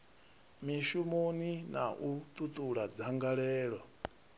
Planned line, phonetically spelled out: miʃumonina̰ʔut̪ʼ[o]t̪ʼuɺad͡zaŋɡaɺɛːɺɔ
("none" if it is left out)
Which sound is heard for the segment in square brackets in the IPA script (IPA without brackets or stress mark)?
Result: u